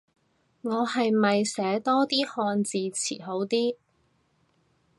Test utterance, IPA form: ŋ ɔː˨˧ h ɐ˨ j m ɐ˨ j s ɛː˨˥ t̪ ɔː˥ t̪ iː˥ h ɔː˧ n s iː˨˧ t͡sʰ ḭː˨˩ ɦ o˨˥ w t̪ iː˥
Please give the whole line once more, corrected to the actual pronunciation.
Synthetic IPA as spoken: ŋ ɔː˨˧ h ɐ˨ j m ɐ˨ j s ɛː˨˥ t̪ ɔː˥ t̪ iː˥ h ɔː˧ n t͡s iː˨˧ t͡sʰ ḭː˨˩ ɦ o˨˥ w t̪ iː˥